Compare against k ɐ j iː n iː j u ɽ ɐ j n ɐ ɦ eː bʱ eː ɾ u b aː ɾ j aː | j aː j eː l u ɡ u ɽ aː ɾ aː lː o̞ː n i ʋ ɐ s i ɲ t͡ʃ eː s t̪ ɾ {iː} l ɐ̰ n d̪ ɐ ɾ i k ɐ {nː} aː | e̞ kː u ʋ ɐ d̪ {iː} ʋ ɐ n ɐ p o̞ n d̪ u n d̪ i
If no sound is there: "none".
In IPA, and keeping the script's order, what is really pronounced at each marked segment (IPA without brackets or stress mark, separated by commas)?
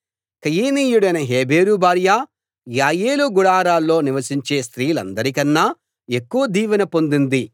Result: iː, nː, iː